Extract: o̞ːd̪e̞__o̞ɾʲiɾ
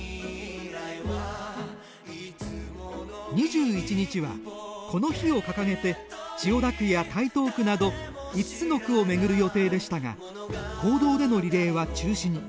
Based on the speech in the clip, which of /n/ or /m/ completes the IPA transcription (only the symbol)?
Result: n